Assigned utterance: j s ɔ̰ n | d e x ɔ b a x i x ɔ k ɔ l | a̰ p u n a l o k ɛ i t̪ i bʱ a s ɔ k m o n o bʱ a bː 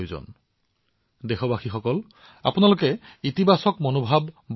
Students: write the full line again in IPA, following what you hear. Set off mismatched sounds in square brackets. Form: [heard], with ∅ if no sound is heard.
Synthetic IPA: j [z] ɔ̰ n | d e x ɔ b a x i x ɔ k ɔ l | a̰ p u n a l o k ɛ i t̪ i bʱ a s ɔ k m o n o bʱ a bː